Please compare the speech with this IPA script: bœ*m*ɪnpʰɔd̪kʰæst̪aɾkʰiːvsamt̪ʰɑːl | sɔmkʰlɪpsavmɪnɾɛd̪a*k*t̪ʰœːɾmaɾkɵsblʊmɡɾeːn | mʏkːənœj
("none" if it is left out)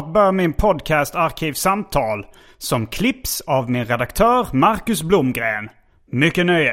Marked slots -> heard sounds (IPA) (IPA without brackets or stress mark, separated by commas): m, k